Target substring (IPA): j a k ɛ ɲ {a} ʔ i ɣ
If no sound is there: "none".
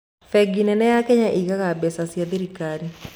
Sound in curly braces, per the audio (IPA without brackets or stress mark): a